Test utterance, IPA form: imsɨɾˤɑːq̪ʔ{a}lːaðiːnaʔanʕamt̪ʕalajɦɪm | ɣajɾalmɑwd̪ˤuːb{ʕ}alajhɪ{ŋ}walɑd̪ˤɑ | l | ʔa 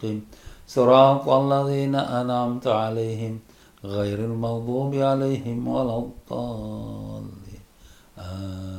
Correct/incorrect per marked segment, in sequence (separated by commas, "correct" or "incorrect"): correct, correct, incorrect